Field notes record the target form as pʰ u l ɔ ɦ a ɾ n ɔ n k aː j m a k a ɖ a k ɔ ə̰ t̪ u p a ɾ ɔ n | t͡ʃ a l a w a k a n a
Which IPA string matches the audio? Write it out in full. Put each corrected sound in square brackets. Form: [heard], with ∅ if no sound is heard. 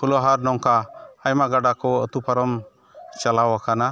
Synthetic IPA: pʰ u l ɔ ɦ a ɾ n ɔ [ŋ] k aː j m a [ɡ] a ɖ a k ɔ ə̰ t̪ u p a ɾ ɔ [m] | t͡ʃ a l a w a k a n a